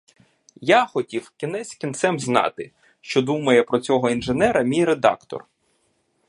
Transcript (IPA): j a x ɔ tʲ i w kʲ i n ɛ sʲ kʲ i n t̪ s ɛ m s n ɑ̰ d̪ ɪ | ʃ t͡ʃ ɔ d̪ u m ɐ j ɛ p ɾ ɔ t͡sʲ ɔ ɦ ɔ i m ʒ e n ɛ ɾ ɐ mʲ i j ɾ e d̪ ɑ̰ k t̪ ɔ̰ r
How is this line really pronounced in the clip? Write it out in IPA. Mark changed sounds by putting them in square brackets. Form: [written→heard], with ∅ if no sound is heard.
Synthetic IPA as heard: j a x ɔ tʲ i w kʲ i n ɛ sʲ kʲ i n t̪ s ɛ m [s→z] n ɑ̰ [d̪→t̪] ɪ | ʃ t͡ʃ ɔ d̪ u m ɐ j ɛ p ɾ ɔ t͡sʲ ɔ ɦ ɔ i [m→n] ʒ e n ɛ ɾ ɐ mʲ i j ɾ e d̪ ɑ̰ k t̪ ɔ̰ r